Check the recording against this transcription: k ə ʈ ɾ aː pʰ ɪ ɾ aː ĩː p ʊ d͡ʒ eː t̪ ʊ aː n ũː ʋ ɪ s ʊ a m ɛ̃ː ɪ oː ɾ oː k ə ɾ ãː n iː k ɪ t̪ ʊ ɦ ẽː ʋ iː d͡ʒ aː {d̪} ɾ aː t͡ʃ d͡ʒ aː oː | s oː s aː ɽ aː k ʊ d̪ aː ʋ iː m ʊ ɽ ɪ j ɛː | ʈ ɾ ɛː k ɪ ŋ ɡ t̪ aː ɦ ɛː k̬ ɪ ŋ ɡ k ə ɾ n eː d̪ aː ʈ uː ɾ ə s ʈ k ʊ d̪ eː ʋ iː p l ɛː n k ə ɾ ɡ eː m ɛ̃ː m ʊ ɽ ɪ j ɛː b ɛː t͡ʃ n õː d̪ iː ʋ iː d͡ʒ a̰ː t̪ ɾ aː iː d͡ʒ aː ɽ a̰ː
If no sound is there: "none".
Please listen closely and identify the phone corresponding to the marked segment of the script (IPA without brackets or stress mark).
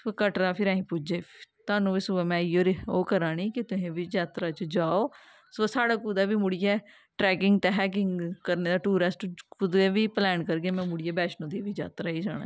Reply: t̪